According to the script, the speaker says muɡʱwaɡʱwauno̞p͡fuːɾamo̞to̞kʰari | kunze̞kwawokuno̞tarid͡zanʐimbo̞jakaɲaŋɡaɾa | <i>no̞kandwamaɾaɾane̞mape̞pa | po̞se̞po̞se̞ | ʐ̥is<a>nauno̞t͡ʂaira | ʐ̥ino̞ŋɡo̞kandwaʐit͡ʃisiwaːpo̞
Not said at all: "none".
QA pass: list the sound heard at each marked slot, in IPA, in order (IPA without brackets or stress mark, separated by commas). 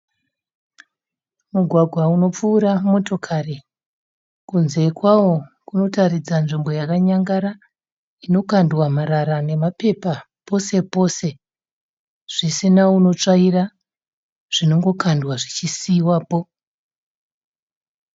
i, i